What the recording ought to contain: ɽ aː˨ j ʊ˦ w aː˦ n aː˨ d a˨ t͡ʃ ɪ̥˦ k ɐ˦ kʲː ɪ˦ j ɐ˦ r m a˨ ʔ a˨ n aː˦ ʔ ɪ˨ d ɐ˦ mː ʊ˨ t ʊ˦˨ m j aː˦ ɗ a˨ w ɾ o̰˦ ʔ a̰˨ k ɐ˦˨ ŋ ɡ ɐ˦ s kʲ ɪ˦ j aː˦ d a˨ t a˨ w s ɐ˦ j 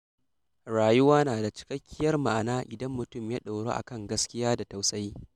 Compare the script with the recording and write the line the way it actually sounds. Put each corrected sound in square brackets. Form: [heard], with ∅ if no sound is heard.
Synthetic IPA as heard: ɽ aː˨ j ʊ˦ w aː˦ n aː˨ d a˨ t͡ʃ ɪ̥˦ k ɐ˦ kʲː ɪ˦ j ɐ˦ r m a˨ ʔ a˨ n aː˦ ʔ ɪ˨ d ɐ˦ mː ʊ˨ t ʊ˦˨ m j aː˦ ɗ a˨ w [ɽ] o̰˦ ʔ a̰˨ k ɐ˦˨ ŋ ɡ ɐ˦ s kʲ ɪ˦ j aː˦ d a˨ t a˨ w s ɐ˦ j